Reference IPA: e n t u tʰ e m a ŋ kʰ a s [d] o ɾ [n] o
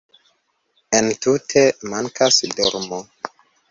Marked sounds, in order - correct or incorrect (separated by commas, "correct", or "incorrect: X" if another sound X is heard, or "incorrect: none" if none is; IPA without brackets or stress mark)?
correct, incorrect: m